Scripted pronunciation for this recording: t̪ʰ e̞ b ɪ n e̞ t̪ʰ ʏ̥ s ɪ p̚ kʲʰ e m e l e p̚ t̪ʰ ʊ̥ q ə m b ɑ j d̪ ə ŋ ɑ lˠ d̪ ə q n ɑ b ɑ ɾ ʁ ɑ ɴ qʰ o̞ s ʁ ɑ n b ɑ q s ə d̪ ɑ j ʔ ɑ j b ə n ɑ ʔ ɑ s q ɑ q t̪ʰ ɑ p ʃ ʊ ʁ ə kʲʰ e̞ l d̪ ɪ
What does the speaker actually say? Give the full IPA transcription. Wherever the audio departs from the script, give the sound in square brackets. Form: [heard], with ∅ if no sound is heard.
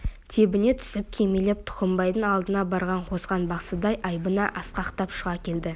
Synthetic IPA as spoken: t̪ʰ e̞ b ɪ n e̞ t̪ʰ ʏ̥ s ɪ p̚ kʲʰ e m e l e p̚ t̪ʰ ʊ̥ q ə m b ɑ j d̪ ə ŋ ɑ lˠ d̪ ə [∅] n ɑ b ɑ ɾ ʁ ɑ ɴ qʰ o̞ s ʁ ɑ n b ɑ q s ə d̪ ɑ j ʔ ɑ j b ə n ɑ ʔ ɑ s q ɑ q [t̪] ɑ p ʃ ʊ ʁ [ɑ] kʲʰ e̞ l d̪ ɪ

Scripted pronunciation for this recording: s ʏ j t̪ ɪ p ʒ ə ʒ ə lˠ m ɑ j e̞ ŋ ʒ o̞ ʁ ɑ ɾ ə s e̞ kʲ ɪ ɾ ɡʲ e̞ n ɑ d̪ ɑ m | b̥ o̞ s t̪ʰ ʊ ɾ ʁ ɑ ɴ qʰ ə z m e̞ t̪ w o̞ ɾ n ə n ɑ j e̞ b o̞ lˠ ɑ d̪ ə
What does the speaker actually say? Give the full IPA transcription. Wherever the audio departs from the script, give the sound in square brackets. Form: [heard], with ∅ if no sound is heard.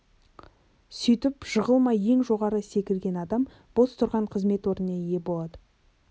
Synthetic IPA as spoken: s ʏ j t̪ ɪ p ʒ ə [ʁ] ə lˠ m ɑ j e̞ ŋ ʒ o̞ ʁ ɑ ɾ ə s e̞ kʲ ɪ [l] ɡʲ e̞ n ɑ d̪ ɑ m | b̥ o̞ s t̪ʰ ʊ ɾ ʁ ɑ ɴ qʰ ə z m e̞ t̪ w o̞ ɾ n ə n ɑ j e̞ b o̞ lˠ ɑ d̪ ə

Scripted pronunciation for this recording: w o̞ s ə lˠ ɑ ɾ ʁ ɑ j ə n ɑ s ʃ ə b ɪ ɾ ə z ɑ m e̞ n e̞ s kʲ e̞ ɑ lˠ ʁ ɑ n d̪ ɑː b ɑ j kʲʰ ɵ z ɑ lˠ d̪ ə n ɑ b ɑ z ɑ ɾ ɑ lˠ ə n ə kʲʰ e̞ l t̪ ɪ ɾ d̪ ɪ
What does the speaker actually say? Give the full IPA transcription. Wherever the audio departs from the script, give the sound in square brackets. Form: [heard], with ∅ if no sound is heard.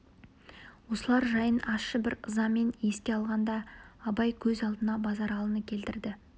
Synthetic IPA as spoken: w o̞ s ə lˠ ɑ ɾ [ʒ] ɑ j ə n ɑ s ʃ ə b ɪ ɾ ə z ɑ m e̞ n e̞ s kʲ e̞ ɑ lˠ ʁ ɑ n d̪ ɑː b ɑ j kʲʰ ɵ z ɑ lˠ d̪ ə n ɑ b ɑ z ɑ ɾ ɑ lˠ ə n ə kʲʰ e̞ l t̪ ɪ ɾ d̪ ɪ

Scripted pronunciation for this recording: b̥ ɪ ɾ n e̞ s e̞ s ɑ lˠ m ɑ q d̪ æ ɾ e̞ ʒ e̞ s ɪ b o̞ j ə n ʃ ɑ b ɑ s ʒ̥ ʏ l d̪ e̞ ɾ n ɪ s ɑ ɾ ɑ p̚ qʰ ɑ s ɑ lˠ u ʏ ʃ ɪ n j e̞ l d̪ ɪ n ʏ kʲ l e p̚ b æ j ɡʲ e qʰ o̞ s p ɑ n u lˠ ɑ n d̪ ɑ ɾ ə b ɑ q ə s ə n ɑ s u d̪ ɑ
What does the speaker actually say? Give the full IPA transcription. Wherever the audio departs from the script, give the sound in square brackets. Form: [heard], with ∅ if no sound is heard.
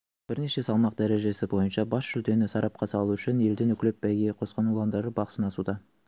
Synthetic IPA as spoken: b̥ ɪ ɾ n e̞ [ʃ] e̞ s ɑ lˠ m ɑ q d̪ æ ɾ e̞ ʒ e̞ s ɪ b o̞ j ə n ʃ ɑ b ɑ s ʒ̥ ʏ l d̪ e̞ [∅] n ɪ s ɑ ɾ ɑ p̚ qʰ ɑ s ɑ lˠ u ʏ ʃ ɪ n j e̞ l d̪ ɪ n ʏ kʲ l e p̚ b æ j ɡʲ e qʰ o̞ s [q] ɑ n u lˠ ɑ n d̪ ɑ ɾ ə b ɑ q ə s ə n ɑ s u d̪ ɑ

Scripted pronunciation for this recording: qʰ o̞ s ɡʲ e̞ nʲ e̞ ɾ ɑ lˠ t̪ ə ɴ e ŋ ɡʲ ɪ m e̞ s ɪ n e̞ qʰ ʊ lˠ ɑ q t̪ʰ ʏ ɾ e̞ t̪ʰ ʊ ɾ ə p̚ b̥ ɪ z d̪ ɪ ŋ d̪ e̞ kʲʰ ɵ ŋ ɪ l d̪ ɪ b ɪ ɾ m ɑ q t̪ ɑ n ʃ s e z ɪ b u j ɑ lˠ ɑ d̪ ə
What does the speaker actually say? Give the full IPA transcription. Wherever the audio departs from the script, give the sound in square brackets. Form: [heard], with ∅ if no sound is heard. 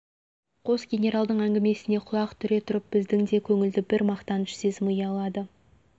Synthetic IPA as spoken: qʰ o̞ s ɡʲ e̞ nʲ e̞ ɾ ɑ lˠ [d̪] ə ɴ [æ] ŋ ɡʲ ɪ m e̞ s ɪ n e̞ qʰ ʊ lˠ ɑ q t̪ʰ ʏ ɾ e̞ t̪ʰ ʊ ɾ ə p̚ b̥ ɪ z d̪ ɪ ŋ d̪ e̞ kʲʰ ɵ ŋ ɪ l d̪ ɪ b ɪ ɾ m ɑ q t̪ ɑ n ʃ s e z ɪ [m] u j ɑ lˠ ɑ d̪ ə

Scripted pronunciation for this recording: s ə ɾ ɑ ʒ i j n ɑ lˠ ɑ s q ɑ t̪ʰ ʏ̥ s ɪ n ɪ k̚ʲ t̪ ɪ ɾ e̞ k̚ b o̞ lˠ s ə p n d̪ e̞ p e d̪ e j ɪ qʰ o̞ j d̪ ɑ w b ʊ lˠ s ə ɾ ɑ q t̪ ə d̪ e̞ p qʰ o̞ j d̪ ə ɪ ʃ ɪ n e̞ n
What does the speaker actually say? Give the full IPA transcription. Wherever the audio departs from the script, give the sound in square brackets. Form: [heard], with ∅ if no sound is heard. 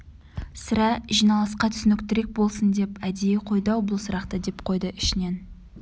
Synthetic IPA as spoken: s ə ɾ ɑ ʒ i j n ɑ lˠ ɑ s q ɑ t̪ʰ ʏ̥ s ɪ n ɪ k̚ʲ t̪ ɪ ɾ e̞ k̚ b o̞ lˠ s ə [∅] n d̪ e̞ p [æ] d̪ e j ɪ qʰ o̞ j d̪ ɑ w b ʊ lˠ s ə ɾ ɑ q t̪ ə d̪ e̞ p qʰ o̞ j d̪ ə ɪ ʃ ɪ n e̞ n

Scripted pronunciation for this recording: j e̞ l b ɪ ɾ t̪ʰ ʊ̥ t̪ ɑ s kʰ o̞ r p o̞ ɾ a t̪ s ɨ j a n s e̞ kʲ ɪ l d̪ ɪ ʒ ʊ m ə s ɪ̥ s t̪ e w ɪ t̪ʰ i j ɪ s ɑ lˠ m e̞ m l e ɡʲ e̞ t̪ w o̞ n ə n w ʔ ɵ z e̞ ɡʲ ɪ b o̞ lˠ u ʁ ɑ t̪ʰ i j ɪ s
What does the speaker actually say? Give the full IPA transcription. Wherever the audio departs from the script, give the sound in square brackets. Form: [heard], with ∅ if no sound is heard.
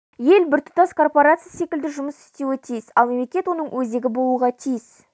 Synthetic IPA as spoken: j e̞ l b ɪ ɾ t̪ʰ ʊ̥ t̪ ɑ s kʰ o̞ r p o̞ ɾ a t̪ s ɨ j a [∅] s e̞ kʲ ɪ l d̪ ɪ ʒ ʊ m ə s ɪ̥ s t̪ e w ɪ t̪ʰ i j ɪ s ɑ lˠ m e̞ m l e [kʲ] e̞ t̪ w o̞ n ə [ɴ] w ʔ ɵ z e̞ ɡʲ ɪ b o̞ lˠ u ʁ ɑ t̪ʰ i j ɪ s

